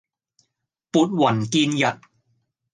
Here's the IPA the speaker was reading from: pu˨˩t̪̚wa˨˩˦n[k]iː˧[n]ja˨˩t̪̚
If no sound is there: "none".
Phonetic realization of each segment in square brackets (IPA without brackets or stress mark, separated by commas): k, n